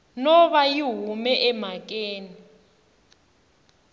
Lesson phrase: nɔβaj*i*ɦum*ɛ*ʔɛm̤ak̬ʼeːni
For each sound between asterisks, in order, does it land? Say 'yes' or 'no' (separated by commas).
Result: yes, yes